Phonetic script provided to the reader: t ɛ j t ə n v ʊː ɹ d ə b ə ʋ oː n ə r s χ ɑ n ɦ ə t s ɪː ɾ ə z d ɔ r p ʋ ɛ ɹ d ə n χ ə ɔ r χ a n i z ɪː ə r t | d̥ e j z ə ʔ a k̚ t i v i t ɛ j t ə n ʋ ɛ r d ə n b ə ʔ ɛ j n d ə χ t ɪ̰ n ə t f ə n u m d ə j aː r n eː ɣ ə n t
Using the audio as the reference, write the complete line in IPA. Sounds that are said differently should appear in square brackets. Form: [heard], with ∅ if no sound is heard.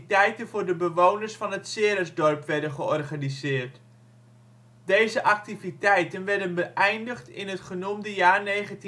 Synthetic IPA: t ɛ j t ə n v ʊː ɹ d ə b ə ʋ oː n ə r s [f] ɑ n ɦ ə t s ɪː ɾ ə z d ɔ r p ʋ ɛ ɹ d ə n χ ə ɔ r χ a n i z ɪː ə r t | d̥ e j z ə ʔ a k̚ t i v i t ɛ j t ə n ʋ ɛ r d ə n b ə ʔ ɛ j n d ə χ t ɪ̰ n ə t [χ] ə n u m d ə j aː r n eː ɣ ə n t